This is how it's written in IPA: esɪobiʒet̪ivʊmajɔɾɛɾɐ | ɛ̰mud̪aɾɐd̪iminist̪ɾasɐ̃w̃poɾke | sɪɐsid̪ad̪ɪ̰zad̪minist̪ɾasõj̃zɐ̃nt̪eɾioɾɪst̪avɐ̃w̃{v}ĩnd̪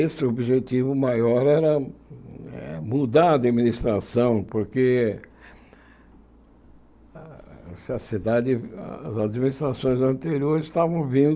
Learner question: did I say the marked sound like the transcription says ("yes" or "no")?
yes